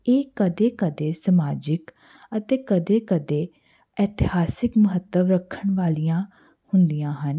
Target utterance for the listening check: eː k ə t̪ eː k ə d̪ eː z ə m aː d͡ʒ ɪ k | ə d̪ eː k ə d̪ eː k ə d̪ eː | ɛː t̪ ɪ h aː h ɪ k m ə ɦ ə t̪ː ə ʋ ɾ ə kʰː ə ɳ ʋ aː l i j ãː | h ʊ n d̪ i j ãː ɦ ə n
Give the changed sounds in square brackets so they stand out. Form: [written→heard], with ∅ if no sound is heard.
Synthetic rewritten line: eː k ə [t̪→d̪] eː k ə d̪ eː [z→s] ə m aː d͡ʒ ɪ k | ə [d̪→t̪] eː k ə d̪ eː k ə d̪ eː | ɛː t̪ ɪ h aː [h→s] ɪ k m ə ɦ ə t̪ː ə ʋ ɾ ə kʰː ə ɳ ʋ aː l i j ãː | h ʊ n d̪ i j ãː ɦ ə n

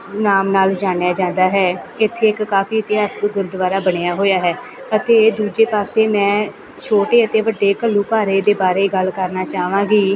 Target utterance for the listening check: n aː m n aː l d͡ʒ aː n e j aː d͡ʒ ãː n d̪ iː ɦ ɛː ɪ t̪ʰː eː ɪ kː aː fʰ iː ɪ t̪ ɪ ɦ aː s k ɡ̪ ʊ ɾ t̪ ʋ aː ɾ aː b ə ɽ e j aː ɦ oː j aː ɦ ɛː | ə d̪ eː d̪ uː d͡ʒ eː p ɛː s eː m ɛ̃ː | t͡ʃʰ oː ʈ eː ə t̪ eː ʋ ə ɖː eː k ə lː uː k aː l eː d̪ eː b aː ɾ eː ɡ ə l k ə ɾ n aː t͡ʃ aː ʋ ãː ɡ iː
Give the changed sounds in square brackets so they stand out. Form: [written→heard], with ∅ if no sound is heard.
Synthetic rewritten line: n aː m n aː l d͡ʒ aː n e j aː d͡ʒ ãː n d̪ [iː→aː] ɦ ɛː ɪ t̪ʰː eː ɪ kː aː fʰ iː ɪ t̪ ɪ ɦ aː s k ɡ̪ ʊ ɾ [t̪→d̪] ʋ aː ɾ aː b ə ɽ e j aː ɦ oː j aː ɦ ɛː | ə [d̪→t̪] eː d̪ uː d͡ʒ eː p [ɛː→aː] s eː m ɛ̃ː | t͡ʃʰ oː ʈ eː ə t̪ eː ʋ ə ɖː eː k ə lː uː k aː [l→ɾ] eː d̪ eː b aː ɾ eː ɡ ə l k ə ɾ n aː t͡ʃ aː ʋ ãː ɡ iː

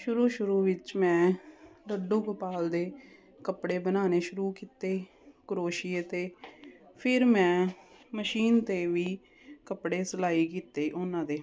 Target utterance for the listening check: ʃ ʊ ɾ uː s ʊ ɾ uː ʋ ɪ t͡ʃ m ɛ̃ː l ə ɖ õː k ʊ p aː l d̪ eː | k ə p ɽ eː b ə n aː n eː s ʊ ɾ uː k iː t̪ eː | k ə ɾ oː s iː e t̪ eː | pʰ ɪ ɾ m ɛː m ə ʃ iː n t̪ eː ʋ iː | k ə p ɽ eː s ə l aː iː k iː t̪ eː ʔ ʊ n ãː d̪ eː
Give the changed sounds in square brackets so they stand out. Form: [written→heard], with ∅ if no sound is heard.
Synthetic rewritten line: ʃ ʊ ɾ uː [s→ʃ] ʊ ɾ uː ʋ ɪ t͡ʃ m ɛ̃ː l ə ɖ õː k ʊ p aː l d̪ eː | k ə p ɽ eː b ə n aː n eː [s→ʃ] ʊ ɾ uː k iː t̪ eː | k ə ɾ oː [s→ʃ] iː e t̪ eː | pʰ ɪ ɾ m [ɛː→ɛ̃ː] m ə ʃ iː n t̪ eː ʋ iː | k ə p ɽ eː s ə l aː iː k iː t̪ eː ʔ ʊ n ãː d̪ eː

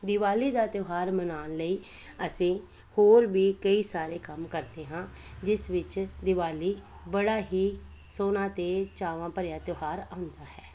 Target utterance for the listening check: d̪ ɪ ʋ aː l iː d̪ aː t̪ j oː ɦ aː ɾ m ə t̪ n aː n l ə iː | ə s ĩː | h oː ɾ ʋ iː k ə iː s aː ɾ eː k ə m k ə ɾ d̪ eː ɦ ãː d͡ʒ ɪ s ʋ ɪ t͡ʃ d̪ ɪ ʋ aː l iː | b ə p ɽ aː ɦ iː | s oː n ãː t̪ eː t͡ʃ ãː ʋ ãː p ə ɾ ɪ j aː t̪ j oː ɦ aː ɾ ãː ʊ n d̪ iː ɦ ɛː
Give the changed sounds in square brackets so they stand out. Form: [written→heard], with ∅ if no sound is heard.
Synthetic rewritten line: d̪ ɪ ʋ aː l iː d̪ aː t̪ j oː ɦ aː ɾ m ə [t̪→∅] n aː n l ə iː | ə s ĩː | h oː ɾ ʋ iː k ə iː s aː ɾ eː k ə m k ə ɾ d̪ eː ɦ ãː d͡ʒ ɪ s ʋ ɪ t͡ʃ d̪ ɪ ʋ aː l iː | b ə [p→∅] ɽ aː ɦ iː | s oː n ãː t̪ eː t͡ʃ [ãː→aː] ʋ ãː p ə ɾ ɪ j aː t̪ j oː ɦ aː ɾ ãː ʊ n d̪ [iː→aː] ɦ ɛː

